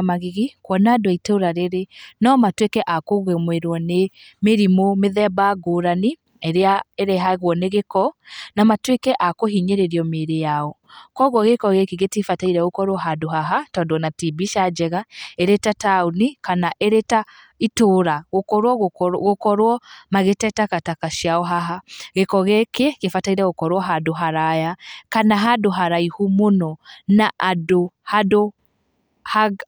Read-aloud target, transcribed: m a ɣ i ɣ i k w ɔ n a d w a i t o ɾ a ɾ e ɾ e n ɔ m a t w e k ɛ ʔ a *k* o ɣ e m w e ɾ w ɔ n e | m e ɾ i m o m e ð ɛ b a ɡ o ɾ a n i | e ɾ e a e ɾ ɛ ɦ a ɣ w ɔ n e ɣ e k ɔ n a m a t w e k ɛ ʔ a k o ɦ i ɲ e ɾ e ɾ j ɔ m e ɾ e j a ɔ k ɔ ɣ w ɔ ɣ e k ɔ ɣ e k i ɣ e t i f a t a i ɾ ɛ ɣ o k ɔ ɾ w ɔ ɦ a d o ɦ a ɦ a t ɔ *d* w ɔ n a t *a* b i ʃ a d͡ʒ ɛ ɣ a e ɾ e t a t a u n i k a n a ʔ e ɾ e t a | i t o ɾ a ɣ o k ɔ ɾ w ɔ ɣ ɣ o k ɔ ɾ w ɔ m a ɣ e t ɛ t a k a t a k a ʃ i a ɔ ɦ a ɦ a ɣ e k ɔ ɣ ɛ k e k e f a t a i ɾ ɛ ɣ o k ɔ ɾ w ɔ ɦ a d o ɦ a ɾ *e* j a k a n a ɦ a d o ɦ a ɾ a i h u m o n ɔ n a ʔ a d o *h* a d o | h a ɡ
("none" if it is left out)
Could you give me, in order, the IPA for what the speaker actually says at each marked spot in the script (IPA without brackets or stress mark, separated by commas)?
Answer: k, d, i, a, h